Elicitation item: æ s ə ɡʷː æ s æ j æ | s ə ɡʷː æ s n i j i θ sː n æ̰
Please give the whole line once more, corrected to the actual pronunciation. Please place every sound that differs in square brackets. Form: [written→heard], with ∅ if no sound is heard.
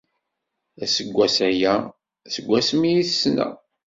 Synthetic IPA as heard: æ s ə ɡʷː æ s æ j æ | s ə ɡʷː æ s [n→m] i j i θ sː n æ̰